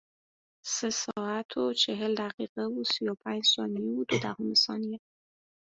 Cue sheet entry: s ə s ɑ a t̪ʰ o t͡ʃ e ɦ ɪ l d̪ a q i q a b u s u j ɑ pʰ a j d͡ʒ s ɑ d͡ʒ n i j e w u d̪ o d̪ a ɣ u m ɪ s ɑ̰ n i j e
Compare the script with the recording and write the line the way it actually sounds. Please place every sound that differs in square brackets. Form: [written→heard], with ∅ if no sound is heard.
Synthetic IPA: s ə s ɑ a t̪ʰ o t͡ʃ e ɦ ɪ l d̪ a q i q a [b→w] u s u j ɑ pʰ a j d͡ʒ s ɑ [d͡ʒ→∅] n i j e w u d̪ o d̪ a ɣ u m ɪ s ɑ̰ n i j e